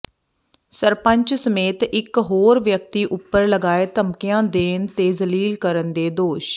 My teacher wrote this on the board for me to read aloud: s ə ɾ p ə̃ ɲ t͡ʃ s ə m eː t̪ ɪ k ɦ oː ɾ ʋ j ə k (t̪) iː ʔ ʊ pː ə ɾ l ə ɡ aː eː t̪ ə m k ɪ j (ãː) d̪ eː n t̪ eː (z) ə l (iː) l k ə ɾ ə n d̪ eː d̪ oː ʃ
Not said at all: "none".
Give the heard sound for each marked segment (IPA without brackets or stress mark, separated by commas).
t̪, ãː, z, iː